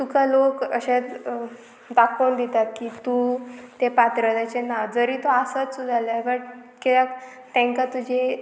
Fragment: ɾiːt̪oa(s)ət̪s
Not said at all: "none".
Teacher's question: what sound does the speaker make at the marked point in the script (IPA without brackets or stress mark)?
s